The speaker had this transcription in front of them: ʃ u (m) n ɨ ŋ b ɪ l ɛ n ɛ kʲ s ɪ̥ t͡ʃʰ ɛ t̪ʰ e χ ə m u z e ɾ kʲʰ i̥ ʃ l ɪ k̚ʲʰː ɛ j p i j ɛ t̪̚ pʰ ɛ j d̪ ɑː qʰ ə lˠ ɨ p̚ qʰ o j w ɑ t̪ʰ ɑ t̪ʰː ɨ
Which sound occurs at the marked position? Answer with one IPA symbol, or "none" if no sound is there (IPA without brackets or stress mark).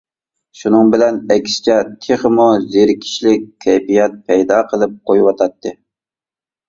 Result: none